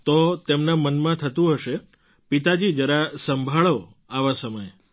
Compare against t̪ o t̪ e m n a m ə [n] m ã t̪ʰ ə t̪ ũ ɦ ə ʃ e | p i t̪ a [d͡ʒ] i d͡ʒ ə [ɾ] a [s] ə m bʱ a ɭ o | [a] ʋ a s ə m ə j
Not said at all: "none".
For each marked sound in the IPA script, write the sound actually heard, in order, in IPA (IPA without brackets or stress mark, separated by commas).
n, d͡ʒ, ɾ, s, a